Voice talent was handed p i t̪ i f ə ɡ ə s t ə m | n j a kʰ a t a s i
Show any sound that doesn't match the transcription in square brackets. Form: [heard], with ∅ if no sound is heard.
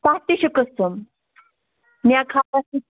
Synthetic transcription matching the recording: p [a] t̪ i [ɕ] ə [k] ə s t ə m | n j a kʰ a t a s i